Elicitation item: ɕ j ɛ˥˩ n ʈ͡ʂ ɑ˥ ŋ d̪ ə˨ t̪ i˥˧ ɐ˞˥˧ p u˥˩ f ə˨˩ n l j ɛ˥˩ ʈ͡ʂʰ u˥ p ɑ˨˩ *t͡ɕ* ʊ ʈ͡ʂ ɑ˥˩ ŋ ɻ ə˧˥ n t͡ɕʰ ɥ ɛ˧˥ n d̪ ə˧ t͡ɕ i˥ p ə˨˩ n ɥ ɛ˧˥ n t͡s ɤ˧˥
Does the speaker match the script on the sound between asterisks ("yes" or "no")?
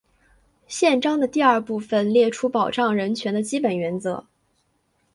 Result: no